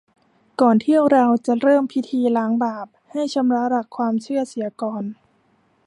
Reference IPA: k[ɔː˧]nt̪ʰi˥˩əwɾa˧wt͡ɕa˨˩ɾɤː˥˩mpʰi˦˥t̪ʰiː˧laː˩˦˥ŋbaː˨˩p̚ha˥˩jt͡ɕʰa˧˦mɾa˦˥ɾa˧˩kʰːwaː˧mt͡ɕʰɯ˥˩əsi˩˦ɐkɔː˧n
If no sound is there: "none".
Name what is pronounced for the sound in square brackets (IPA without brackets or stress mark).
ɔː˨˩